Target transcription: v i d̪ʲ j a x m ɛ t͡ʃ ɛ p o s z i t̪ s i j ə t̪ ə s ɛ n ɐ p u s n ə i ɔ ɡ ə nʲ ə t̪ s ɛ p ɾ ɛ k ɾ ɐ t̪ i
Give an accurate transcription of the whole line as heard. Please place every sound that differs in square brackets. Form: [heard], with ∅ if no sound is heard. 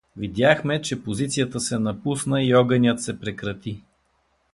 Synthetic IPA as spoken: v i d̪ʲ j a x m ɛ t͡ʃ ɛ p o [∅] z i t̪ s i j ə t̪ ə s ɛ n ɐ p u s n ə i ɔ ɡ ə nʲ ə t̪ s ɛ p ɾ ɛ k ɾ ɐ t̪ i